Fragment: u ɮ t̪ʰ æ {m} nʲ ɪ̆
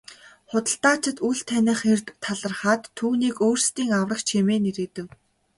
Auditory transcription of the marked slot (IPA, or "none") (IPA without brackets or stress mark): none